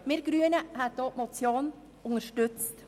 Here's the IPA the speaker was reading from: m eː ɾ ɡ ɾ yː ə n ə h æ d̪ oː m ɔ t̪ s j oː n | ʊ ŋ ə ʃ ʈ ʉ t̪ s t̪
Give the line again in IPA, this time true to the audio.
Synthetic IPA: m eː ɾ ɡ ɾ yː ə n ə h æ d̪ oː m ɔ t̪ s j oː n | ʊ ŋ ə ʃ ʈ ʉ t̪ s t̪